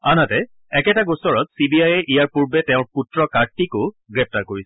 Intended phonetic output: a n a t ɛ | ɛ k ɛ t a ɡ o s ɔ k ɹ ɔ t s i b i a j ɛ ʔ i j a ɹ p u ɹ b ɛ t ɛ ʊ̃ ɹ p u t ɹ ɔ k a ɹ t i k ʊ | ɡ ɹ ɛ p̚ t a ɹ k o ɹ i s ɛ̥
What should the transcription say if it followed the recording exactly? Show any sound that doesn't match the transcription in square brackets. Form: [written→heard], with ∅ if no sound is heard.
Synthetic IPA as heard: a n a t ɛ | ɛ k ɛ t a ɡ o s ɔ [k→∅] ɹ ɔ t s i b i a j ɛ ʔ i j a ɹ p u ɹ b ɛ t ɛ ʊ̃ ɹ p u t ɹ ɔ k a ɹ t i k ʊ | ɡ ɹ ɛ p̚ t a ɹ k o ɹ i s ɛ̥